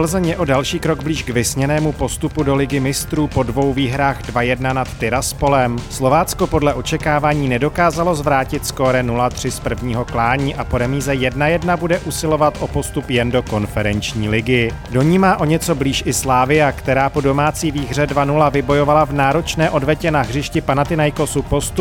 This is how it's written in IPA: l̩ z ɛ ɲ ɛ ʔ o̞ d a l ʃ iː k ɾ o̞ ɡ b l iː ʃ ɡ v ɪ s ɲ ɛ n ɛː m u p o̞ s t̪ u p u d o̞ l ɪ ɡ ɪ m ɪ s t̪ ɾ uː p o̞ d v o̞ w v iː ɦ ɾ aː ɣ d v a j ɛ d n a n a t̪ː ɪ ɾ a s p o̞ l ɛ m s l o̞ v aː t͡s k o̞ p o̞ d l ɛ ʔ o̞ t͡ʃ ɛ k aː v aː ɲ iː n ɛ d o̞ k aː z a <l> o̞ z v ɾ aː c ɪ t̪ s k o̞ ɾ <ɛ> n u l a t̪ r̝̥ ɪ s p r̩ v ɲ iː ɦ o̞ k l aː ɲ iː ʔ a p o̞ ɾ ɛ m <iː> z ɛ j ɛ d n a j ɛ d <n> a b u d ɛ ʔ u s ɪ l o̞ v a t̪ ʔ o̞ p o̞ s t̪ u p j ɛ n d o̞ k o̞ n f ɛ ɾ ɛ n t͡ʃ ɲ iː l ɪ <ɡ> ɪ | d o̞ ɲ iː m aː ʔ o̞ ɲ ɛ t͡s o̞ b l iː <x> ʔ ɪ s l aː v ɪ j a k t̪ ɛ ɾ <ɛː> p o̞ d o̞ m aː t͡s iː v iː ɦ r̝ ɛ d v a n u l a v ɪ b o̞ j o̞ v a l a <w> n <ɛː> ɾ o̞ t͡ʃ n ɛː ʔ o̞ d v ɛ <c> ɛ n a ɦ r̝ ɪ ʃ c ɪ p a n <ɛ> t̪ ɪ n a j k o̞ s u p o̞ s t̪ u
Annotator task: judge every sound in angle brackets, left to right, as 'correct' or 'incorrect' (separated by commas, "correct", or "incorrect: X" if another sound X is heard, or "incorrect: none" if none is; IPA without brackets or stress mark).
correct, correct, correct, correct, correct, incorrect: ʃ, incorrect: aː, incorrect: v, incorrect: aː, correct, incorrect: a